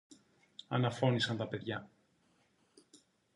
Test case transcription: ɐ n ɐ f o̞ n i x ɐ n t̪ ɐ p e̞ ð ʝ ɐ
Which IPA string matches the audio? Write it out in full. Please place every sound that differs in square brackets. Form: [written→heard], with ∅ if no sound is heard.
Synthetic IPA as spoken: ɐ n ɐ f o̞ n i [x→s] ɐ n t̪ ɐ p e̞ ð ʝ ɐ